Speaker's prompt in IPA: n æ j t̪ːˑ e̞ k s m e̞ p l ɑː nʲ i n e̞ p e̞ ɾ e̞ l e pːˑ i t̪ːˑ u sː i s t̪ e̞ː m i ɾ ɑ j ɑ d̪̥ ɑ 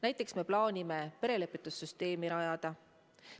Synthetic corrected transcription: n æ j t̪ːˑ e̞ k s m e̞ p l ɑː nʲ i m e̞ p e̞ ɾ e̞ l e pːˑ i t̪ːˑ u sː y s t̪ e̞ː m i ɾ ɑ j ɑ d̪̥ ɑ

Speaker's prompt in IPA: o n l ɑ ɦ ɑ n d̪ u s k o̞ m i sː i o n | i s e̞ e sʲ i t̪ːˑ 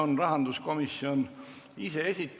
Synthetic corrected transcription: o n r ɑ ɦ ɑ n d̪ u s k o̞ m i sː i o n | i s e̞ e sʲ i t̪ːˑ

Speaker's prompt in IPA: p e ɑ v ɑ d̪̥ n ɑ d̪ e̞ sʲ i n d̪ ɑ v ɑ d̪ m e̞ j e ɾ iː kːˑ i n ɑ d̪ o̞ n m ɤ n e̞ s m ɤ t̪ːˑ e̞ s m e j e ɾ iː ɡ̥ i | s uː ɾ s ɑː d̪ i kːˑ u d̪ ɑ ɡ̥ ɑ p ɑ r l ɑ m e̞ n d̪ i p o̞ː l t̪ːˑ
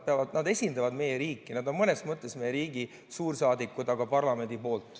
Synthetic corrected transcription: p e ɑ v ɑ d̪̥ n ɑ d̪ e̞ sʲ i n d̪ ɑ v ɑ d̪ m e̞ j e ɾ iː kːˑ i n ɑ d̪ o̞ n m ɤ n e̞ s m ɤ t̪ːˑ e̞ s m e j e ɾ iː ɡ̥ i | s uː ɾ s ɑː d̪ i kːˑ u d̪ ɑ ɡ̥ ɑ p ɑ r l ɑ m e̞ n d̪ i p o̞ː l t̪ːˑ

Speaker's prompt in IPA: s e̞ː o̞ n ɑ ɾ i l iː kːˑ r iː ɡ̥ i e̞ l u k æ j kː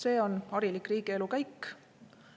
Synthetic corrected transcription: s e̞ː o̞ n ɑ ɾ i l i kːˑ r iː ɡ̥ i e̞ l u k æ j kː

